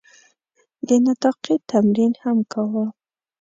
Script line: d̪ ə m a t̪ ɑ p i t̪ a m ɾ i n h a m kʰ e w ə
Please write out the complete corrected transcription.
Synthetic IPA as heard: d̪ ə n a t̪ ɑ q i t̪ a m ɾ i n h a m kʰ a w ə